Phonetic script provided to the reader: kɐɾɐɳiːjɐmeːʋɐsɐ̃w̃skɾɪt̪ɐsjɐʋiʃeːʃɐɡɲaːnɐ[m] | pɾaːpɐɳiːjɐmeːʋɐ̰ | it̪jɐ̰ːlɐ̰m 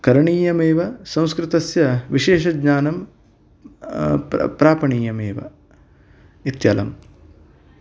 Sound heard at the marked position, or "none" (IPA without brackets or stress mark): m